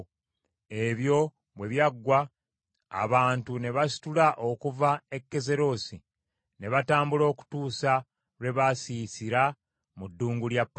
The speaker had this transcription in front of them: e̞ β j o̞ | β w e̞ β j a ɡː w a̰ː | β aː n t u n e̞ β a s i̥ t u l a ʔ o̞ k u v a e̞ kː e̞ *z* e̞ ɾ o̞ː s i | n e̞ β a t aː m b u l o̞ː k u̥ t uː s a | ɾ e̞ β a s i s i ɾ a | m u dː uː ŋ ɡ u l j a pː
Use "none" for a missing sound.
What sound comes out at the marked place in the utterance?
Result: z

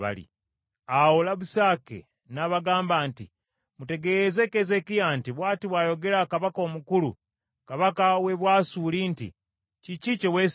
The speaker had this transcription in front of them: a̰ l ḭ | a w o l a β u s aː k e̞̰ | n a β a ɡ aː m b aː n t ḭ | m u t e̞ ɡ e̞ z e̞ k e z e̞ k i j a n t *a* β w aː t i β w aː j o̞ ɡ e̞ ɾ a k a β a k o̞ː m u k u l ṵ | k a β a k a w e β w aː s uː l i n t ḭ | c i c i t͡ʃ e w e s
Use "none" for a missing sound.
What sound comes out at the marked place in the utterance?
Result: i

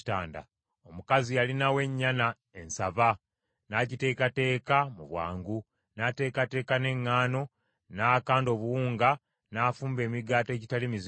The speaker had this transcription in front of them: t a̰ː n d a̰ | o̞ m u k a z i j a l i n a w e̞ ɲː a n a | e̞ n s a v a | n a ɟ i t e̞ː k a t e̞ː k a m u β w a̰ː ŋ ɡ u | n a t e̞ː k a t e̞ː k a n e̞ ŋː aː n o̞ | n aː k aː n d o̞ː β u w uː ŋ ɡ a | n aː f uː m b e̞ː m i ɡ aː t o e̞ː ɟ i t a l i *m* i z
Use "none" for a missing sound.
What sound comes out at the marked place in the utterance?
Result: m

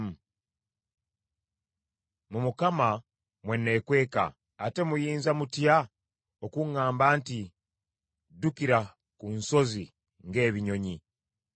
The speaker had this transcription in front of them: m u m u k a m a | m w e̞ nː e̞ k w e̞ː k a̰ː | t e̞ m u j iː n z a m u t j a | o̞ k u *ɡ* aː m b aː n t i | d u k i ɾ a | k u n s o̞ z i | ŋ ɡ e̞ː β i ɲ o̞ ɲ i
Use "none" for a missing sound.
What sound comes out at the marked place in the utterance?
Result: ŋ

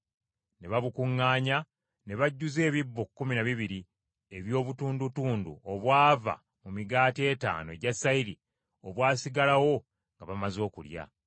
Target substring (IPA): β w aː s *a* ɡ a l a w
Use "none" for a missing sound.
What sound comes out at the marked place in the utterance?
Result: i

